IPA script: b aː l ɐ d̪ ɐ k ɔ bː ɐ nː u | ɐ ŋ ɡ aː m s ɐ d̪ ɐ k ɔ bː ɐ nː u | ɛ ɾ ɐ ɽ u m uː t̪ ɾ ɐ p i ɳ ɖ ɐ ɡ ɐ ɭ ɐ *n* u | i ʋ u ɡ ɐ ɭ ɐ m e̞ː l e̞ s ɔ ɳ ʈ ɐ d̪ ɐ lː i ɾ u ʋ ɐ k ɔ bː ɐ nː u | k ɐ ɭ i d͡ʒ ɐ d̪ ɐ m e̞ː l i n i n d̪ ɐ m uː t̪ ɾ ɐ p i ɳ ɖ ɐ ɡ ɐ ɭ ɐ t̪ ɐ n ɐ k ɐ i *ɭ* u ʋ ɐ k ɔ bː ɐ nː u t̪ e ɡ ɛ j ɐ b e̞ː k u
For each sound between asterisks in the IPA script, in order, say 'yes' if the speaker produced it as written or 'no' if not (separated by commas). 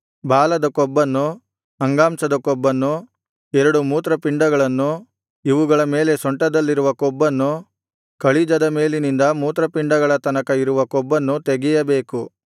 no, no